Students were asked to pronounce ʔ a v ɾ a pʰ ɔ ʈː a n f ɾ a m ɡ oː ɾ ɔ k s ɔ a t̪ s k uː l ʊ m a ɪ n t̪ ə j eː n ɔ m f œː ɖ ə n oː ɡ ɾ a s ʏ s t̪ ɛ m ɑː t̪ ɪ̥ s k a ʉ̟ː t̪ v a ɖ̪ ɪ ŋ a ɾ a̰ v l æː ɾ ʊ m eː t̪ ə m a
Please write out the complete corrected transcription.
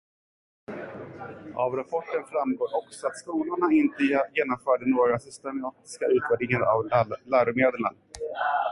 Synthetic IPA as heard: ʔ a v ɾ a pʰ ɔ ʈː ə n f ɾ a m ɡ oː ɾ ɔ k s ɔ a t̪ s k uː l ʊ ɳ a ɪ n t̪ ə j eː n ɔ m f œː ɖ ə n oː ɡ ɾ a s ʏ s t̪ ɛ m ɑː t̪ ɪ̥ s k a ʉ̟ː t̪ v æ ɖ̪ ɪ ŋ a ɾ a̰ v l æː ɾ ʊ m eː d̪ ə ɳ a